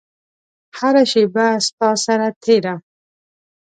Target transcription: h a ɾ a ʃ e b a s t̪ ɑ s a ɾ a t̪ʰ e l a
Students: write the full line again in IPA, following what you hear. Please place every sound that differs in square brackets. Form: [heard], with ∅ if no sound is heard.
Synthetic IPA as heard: h a ɾ a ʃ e b a s t̪ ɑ s a ɾ a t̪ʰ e [ɾ] a